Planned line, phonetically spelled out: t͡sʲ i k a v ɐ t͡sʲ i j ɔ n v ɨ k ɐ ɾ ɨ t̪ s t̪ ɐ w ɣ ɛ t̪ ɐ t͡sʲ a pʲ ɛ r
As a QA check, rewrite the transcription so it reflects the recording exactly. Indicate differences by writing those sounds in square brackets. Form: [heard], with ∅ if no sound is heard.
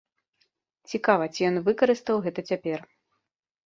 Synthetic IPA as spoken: t͡sʲ i k a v ɐ t͡sʲ i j ɔ n v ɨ k ɐ ɾ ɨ [∅] s t̪ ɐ w ɣ ɛ t̪ ɐ t͡sʲ a pʲ ɛ r